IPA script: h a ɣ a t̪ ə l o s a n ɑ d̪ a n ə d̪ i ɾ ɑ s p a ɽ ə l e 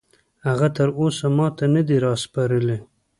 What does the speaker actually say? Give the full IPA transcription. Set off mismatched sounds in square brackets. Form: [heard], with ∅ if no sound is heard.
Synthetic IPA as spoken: h a ɣ a t̪ ə [ɾ] o s a [m] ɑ [t̪] a n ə d̪ i ɾ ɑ s p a [ɾ] ə l e